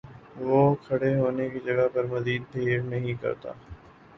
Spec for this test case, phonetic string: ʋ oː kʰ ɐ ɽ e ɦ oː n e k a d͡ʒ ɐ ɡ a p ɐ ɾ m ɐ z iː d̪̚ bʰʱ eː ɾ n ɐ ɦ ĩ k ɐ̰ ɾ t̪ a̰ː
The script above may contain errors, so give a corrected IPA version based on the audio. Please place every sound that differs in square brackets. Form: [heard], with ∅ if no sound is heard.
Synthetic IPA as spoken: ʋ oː kʰ ɐ ɽ e ɦ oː n e k [i] d͡ʒ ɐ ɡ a p ɐ ɾ m ɐ z iː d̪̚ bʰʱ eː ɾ n ɐ ɦ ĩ k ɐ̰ ɾ t̪ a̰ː